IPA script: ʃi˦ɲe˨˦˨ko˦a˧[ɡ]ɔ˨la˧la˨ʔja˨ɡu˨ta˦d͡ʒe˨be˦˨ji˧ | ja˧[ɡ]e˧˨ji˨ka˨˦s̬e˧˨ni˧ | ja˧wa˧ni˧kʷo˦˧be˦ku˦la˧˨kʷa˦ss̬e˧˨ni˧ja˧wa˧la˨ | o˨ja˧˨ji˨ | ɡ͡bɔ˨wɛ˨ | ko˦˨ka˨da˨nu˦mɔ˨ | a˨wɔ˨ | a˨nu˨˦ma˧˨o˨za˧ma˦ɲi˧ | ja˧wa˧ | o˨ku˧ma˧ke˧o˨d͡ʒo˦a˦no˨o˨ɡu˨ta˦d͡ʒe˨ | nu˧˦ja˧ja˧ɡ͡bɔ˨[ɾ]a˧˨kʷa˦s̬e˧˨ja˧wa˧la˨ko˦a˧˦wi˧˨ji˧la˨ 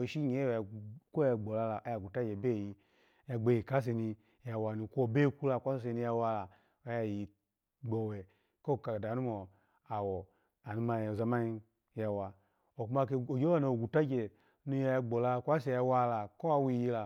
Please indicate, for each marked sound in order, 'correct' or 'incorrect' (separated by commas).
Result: incorrect, incorrect, incorrect